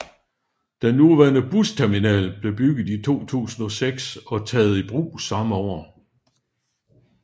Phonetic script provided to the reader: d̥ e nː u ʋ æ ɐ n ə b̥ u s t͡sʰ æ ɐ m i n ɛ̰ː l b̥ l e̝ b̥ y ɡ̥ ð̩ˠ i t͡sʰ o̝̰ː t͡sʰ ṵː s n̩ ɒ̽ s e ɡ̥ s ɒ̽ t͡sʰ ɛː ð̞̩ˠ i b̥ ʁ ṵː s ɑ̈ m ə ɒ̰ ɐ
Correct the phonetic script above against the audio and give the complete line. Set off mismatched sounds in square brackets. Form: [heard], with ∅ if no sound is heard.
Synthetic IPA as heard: d̥ e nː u ʋ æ ɐ n ə b̥ u s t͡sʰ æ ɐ m i n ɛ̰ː l b̥ l e̝ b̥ y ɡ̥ ð̩ˠ i t͡sʰ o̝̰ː t͡sʰ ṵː s n̩ ɒ̽ s e ɡ̥ s ɒ̽ t͡sʰ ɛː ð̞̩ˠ i b̥ ʁ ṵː s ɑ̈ m ə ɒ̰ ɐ